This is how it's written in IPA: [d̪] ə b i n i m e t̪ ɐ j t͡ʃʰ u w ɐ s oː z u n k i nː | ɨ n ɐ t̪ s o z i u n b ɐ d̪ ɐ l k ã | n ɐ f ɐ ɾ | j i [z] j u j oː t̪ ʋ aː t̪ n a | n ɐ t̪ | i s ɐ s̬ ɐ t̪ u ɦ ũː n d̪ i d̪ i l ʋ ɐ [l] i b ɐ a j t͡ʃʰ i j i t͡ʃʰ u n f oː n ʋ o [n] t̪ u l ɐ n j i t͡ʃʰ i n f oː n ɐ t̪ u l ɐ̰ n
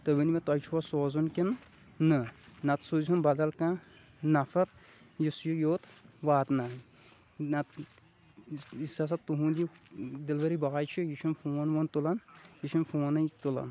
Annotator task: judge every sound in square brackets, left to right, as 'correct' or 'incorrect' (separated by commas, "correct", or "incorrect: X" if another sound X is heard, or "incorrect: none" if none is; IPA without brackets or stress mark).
incorrect: t̪, incorrect: s, incorrect: ɾ, correct